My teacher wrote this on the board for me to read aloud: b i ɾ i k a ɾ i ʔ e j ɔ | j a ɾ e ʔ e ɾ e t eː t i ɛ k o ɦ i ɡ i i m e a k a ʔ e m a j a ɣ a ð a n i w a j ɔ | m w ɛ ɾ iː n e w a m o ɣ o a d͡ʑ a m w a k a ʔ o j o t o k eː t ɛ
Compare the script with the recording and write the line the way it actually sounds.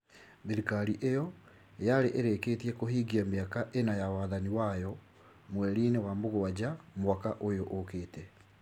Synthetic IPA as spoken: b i ɾ i k a ɾ i ʔ e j ɔ | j a ɾ e ʔ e ɾ e k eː t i ɛ k o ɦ i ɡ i a m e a k a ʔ e n a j a w a ð a n i w a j ɔ | m w ɛ ɾ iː n e w a m o ɣ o a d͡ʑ a m w a k a ʔ o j o ʔ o k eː t ɛ

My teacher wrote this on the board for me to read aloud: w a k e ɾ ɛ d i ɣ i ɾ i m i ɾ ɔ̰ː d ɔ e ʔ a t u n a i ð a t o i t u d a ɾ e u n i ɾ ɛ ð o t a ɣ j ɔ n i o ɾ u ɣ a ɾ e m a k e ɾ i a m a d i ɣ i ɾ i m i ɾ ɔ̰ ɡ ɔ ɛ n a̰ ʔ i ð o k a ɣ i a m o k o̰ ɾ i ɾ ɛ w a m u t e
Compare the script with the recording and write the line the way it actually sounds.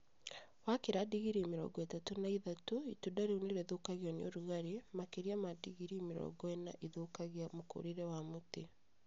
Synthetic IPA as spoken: w a k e ɾ a d i ɣ i ɾ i m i ɾ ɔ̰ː ɡ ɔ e t a t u n a i ð a t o i t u d a ɾ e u n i ɾ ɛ ð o k a ɣ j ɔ n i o ɾ u ɣ a ɾ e m a k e ɾ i a m a d i ɣ i ɾ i m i ɾ ɔ̰ ɡ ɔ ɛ n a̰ ʔ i ð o k a ɣ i a m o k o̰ ɾ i ɾ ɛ w a m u t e

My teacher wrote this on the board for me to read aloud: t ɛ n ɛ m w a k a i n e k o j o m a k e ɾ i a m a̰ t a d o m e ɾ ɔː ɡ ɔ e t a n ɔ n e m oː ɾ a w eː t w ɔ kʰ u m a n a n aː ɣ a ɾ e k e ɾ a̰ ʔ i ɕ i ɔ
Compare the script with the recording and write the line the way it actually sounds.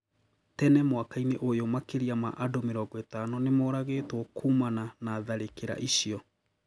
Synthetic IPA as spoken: t ɛ n ɛ m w a k a i n e ʔ o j o m a k e ɾ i a m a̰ ʔ a d o m e ɾ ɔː ɡ ɔ e t a n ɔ n e m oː ɾ a ɣ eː t w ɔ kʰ u m a n a n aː ð a ɾ e k e ɾ a̰ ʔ i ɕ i ɔ

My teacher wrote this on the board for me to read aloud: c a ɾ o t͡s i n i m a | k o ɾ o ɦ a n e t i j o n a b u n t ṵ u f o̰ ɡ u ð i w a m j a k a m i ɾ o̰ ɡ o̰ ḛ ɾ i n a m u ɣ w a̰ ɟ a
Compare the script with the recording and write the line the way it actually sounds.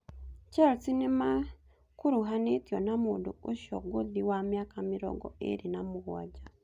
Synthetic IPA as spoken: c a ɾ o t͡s i n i m a | k u ɾ u ɦ a n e t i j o n a m u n d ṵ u ʃ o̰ ɡ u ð i w a m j a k a m i ɾ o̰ ɡ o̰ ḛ ɾ i n a m u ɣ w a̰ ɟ a

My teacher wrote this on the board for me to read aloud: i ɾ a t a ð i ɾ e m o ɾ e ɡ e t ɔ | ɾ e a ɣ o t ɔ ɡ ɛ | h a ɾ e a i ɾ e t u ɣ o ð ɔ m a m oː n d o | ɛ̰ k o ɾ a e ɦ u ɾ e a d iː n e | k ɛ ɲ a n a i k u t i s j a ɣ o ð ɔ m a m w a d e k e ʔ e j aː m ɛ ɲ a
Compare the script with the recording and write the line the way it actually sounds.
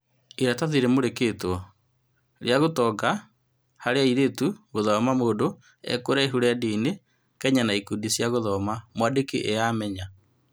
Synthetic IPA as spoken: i ɾ a t a ð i ɾ e m o ɾ e k e t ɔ | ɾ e a ɣ o t ɔ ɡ a | h a ɾ e a i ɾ e t u ɣ o ð ɔ m a m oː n d o | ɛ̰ k o ɾ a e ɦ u ɾ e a d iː n e | k ɛ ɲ a n a i k u d i s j a ɣ o ð ɔ m a m w a d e k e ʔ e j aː m ɛ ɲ a

